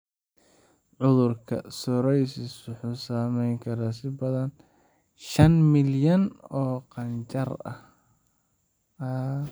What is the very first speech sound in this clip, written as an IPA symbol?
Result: ʕ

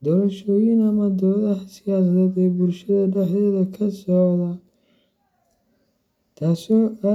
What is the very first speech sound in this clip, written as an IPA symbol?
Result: d̪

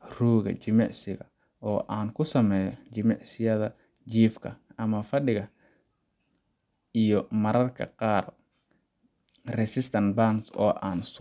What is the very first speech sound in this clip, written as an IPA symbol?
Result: r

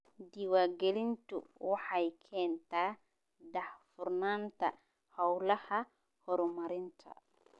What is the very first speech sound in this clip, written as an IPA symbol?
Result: d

